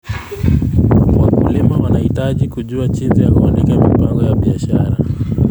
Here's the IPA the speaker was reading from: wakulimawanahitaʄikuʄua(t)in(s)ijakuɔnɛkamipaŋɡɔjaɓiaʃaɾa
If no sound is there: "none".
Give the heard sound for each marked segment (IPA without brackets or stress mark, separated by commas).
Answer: t͡ʃ, z